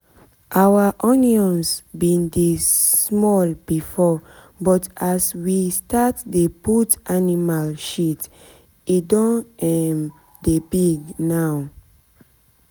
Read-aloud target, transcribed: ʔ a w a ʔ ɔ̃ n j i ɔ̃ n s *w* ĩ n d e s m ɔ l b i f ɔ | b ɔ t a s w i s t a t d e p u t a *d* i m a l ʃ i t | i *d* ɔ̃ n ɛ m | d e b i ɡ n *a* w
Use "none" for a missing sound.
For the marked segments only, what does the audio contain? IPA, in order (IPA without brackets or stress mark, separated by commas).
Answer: b, n, d, a